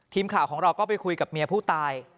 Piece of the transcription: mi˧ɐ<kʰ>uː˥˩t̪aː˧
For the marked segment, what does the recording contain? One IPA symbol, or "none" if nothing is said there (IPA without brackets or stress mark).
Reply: pʰ